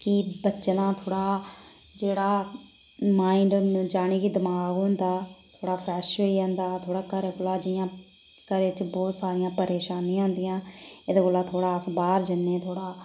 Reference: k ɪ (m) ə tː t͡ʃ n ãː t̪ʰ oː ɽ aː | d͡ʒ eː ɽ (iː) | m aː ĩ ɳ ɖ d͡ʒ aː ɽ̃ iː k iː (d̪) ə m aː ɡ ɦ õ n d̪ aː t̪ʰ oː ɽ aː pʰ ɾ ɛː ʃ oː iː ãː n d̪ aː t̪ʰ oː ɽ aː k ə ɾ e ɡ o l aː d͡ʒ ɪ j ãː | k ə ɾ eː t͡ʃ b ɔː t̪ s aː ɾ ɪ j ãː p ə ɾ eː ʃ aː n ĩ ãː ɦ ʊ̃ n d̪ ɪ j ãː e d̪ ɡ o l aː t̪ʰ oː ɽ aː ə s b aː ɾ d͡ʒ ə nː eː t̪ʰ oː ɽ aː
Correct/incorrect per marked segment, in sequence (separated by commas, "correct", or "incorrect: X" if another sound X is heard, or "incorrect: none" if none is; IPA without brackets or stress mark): incorrect: b, incorrect: aː, correct